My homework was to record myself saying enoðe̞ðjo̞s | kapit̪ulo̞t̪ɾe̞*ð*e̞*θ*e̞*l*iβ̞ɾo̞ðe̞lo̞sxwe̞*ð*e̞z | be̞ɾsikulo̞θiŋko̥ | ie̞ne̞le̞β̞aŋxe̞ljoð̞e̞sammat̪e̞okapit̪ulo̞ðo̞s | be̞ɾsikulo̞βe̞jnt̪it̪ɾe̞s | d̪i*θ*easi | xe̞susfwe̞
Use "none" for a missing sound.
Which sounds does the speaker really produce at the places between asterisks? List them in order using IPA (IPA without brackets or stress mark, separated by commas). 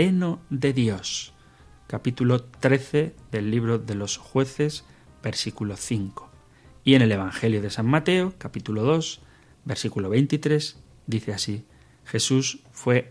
θ, ð, lː, θ, θ